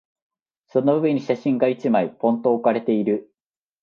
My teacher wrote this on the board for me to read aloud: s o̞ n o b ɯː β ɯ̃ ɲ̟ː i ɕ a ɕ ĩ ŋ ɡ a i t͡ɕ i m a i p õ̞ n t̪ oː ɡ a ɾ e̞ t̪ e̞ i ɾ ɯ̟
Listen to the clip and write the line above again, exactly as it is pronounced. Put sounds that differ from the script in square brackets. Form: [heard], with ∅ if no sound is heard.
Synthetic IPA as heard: s o̞ n o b [ɯ] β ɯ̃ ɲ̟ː i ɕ a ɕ ĩ ŋ ɡ a i t͡ɕ i m a i p õ̞ n t̪ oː [k] a ɾ e̞ t̪ e̞ i ɾ ɯ̟

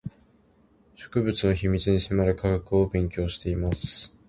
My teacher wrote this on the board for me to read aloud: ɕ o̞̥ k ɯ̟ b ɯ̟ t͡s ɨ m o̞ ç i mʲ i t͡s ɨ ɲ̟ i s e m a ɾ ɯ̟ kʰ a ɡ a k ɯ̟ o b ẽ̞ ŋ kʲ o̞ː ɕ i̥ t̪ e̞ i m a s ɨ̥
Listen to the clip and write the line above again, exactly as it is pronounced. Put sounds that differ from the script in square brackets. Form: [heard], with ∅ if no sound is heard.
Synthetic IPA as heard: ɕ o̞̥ k ɯ̟ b ɯ̟ t͡s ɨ [n] o̞ ç i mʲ i t͡s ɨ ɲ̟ i s e m a ɾ ɯ̟ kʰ a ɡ a k ɯ̟ o b ẽ̞ ŋ kʲ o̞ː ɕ i̥ t̪ e̞ i m a s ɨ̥

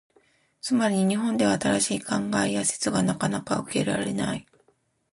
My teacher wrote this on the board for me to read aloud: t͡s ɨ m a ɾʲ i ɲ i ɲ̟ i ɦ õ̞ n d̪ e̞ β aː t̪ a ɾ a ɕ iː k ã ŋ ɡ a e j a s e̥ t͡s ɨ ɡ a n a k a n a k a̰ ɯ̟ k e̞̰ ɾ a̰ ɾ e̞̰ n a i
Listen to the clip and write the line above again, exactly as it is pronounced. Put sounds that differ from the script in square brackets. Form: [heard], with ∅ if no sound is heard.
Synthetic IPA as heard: t͡s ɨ m a ɾʲ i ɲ i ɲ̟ i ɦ õ̞ n d̪ e̞ β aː t̪ a ɾ a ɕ iː k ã ŋ ɡ a e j a s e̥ t͡s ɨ ɡ a n a k a n a k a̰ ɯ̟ k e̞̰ ɾ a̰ ɾ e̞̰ n a i

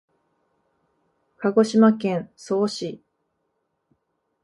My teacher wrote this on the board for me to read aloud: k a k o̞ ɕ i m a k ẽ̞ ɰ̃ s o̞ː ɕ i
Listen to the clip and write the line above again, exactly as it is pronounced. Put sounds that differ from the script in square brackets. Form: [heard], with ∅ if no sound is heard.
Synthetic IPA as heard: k a [ɡ] o̞ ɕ i m a k ẽ̞ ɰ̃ s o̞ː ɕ i

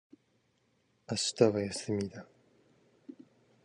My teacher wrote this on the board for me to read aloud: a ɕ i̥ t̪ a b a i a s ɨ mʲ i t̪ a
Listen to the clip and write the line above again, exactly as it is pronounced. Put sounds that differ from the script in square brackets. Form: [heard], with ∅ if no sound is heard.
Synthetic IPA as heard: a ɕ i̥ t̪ a [β] a [j] a s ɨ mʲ i [d̪] a

